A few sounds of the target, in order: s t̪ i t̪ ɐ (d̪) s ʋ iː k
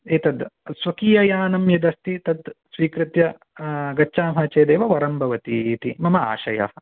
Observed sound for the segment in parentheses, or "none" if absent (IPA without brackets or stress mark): d̪